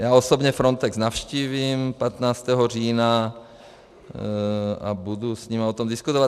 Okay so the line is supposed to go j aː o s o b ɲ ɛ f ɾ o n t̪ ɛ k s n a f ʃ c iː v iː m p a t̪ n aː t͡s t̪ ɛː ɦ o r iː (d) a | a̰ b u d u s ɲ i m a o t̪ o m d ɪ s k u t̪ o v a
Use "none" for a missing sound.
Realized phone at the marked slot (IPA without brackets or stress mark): n